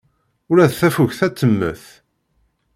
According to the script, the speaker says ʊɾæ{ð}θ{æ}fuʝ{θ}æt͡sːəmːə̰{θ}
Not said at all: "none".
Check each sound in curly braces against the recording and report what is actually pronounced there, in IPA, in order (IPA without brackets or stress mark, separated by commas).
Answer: ð, æ, θ, θ